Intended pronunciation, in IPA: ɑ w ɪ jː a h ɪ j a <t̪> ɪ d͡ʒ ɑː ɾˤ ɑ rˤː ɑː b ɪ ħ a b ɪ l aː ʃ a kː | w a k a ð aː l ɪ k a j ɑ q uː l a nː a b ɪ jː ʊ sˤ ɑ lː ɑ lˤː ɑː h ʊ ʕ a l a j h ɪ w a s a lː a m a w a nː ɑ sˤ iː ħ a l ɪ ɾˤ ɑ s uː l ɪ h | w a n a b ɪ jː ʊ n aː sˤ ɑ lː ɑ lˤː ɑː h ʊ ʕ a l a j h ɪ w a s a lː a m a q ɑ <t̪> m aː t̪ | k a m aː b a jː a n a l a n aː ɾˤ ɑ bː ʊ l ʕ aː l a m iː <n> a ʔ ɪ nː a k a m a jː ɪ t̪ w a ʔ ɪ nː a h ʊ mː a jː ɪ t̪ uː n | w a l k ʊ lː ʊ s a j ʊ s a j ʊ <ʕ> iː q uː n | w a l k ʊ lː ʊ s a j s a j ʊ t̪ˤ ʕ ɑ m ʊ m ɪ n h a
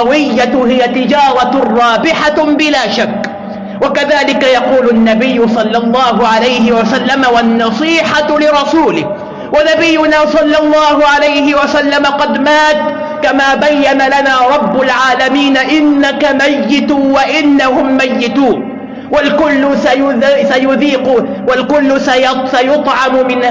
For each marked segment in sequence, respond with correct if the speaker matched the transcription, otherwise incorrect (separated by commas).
correct, incorrect, correct, incorrect